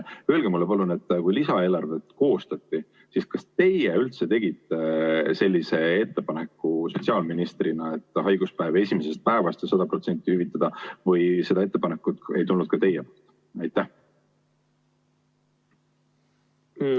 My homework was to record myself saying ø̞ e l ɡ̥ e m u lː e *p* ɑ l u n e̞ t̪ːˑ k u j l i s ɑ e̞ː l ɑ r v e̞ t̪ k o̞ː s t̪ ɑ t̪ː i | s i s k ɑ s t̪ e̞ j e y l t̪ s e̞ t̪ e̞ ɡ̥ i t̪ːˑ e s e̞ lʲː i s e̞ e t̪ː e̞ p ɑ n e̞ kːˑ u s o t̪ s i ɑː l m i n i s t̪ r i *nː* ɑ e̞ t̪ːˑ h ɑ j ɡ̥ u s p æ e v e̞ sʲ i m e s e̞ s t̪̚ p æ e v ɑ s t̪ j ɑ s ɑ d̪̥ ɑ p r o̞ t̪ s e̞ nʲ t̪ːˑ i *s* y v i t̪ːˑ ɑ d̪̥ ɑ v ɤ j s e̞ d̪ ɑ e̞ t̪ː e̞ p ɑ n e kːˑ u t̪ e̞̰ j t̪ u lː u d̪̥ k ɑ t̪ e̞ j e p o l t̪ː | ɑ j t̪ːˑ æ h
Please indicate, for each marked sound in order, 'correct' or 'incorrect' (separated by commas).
correct, incorrect, incorrect